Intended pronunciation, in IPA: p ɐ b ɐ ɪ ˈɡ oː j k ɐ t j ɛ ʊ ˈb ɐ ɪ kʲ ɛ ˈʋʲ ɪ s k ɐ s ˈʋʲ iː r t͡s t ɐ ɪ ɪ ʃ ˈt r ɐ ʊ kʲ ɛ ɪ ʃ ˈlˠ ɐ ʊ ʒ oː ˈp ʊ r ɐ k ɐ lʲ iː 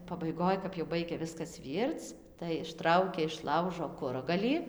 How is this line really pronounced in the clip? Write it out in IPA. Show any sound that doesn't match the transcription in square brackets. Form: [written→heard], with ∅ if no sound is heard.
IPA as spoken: p ɐ b ɐ ɪ ˈɡ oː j k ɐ [t→p] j ɛ ʊ ˈb ɐ ɪ [kʲ→ɡʲ] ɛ ˈʋʲ ɪ s k ɐ s ˈʋʲ iː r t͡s t ɐ ɪ ɪ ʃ ˈt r ɐ ʊ kʲ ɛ ɪ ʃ ˈlˠ ɐ ʊ ʒ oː [ˈp→ˈk] ʊ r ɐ [k→ɡ] ɐ lʲ iː